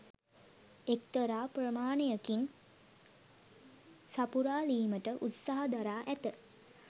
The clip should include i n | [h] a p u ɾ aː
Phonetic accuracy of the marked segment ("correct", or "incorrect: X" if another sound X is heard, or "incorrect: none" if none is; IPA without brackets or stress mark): incorrect: s